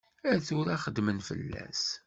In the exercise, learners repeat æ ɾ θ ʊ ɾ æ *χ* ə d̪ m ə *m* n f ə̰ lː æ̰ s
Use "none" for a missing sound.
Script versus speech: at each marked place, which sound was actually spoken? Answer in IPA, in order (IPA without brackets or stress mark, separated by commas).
χ, none